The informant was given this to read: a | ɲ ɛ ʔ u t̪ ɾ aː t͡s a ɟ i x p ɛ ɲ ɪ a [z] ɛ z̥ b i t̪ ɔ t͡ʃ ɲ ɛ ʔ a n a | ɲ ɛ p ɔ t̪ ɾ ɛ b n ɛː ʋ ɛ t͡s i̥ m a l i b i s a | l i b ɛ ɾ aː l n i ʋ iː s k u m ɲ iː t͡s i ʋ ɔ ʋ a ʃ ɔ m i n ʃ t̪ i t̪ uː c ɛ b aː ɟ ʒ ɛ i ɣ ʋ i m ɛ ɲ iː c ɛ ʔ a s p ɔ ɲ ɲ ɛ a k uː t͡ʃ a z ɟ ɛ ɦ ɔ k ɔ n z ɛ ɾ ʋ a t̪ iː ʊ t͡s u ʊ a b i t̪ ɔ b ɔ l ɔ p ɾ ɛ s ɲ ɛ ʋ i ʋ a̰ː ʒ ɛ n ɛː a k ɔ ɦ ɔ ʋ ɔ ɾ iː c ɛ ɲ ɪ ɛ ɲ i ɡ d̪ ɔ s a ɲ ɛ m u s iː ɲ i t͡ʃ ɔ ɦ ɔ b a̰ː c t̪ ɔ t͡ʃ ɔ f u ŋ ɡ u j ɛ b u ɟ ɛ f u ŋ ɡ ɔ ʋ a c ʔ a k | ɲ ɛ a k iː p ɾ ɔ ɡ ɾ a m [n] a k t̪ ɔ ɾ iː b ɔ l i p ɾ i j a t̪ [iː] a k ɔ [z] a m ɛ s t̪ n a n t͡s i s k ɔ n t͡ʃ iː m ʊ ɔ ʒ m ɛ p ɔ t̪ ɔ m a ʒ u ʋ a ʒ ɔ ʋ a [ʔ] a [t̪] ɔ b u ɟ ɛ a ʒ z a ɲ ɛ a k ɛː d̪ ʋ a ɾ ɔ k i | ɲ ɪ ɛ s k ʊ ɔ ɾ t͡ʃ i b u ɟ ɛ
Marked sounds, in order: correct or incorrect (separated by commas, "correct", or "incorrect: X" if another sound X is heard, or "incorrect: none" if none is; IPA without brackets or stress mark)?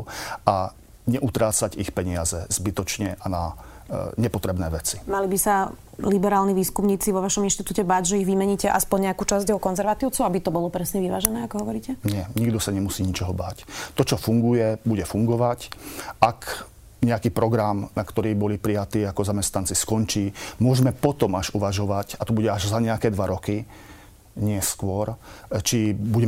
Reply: correct, correct, correct, correct, incorrect: c, correct